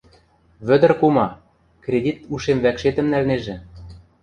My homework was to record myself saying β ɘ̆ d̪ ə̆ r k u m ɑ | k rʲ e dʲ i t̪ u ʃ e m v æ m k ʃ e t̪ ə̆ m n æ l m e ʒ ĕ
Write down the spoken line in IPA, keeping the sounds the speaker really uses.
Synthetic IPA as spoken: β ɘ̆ d̪ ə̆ r k u m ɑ | k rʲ e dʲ i t̪ u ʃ e m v æ k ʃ e t̪ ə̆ m n æ l n e ʒ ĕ

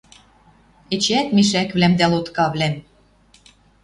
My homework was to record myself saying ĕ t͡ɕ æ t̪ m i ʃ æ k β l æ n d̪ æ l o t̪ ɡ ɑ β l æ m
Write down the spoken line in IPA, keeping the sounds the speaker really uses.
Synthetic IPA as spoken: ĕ t͡ɕ æ t̪ m i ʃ æ k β l æ m d̪ æ l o t̪ k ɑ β l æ m

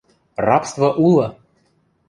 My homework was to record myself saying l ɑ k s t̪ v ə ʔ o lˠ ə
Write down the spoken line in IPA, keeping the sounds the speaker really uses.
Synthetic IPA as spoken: r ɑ p s t̪ v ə ʔ u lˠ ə

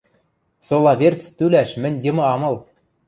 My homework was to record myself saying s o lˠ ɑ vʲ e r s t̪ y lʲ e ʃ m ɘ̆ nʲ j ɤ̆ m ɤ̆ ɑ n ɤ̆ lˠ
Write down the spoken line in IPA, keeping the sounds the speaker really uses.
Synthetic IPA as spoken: s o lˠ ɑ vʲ e r t͡s t̪ y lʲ æ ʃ m ɘ̆ nʲ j ɤ̆ m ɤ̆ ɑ m ɤ̆ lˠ

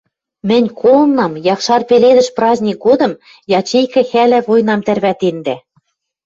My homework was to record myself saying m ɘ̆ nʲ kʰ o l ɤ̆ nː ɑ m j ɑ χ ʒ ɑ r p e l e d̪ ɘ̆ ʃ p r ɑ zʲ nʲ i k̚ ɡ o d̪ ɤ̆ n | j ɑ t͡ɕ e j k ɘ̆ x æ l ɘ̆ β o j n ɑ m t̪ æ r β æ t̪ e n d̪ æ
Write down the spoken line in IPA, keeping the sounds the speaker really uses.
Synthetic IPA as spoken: m ɘ̆ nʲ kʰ o l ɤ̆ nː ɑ m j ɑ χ ʃ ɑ r p e l e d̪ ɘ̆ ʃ p r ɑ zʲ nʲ i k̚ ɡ o d̪ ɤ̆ m | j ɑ t͡ɕ e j k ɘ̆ x æ l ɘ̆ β o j n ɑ m t̪ æ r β æ t̪ e n d̪ æ

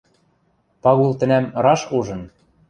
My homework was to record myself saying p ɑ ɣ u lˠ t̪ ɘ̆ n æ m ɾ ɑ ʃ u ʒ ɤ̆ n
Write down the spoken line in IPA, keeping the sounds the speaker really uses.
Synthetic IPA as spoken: p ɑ ɣ u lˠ t̪ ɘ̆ n æ m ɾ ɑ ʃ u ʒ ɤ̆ n

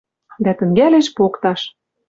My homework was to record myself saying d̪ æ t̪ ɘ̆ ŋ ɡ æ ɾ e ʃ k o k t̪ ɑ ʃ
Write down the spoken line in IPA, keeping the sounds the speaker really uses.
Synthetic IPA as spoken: d̪ æ t̪ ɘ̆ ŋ ɡ æ l e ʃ p o k t̪ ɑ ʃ

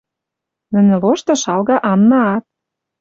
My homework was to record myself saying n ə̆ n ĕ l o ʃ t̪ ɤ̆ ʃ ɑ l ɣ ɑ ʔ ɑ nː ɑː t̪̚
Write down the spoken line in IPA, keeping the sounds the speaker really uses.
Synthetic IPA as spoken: n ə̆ n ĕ l o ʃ t̪ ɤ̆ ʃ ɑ l ɣ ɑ ʔ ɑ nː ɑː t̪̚

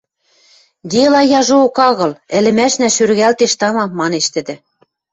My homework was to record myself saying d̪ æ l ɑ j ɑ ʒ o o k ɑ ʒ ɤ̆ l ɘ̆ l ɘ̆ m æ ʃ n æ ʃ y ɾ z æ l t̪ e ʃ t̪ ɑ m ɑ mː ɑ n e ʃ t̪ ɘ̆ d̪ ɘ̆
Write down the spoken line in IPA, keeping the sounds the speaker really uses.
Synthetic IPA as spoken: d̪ e l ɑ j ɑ ʒ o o k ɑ ɣ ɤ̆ l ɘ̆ l ɘ̆ m æ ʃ n æ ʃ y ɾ ɣ æ l t̪ e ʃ t̪ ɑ m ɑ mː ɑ n e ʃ t̪ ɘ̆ d̪ ɘ̆

